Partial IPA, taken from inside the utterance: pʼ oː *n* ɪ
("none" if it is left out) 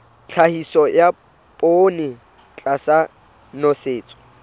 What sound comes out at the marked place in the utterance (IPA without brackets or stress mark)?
n